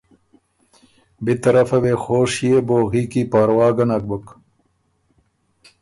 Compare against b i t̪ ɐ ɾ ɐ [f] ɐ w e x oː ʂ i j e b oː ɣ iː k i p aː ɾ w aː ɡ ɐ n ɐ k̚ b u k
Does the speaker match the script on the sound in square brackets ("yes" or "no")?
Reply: yes